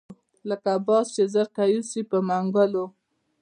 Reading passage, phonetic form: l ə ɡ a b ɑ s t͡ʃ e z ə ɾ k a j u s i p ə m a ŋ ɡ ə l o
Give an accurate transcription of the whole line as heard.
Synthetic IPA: l ə k a b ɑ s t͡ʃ e z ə ɾ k a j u s i p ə m a ŋ ɡ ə l o